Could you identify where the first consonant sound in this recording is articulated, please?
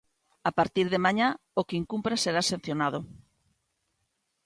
labial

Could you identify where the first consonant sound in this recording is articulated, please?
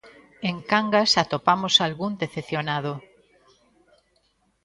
velar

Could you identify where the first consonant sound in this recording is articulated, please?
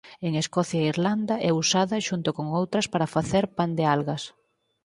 velar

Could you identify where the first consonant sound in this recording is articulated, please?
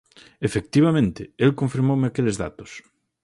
labial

